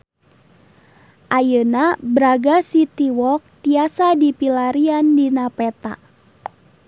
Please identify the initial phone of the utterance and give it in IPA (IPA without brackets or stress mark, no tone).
ʔ